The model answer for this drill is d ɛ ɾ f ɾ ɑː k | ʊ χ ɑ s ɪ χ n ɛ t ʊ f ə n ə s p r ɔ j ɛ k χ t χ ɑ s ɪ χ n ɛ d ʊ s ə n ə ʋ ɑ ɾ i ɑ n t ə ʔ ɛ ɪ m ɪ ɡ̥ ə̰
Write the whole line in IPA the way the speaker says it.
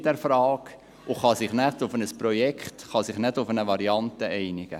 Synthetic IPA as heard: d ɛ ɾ f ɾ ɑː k | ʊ χ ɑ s ɪ χ n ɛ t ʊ f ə n ə s p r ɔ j ɛ k χ t χ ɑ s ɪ χ n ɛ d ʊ f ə n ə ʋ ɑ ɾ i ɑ n t ə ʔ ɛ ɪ n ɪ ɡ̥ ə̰